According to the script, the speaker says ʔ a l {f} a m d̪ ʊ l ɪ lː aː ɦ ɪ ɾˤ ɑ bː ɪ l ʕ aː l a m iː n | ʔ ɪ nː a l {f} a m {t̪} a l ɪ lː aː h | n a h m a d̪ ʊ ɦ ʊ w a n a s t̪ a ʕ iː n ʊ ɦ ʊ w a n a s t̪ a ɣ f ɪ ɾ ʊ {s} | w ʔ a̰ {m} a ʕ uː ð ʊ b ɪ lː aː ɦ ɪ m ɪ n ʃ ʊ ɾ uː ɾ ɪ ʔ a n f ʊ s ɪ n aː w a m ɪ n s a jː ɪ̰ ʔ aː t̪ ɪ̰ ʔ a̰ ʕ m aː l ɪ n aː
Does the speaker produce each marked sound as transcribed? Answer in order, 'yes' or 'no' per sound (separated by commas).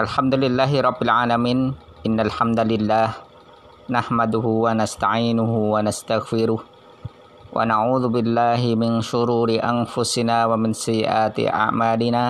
no, no, no, no, no